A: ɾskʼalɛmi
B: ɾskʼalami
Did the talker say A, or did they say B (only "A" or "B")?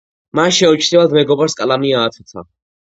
B